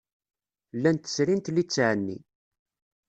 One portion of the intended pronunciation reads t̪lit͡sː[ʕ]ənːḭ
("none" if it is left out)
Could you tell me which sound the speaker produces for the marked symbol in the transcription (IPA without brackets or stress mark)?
ʕ